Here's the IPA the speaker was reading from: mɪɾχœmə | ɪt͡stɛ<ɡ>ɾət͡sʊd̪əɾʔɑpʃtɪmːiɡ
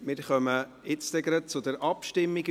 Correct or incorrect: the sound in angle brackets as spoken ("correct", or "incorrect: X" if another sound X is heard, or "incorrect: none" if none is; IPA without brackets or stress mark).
correct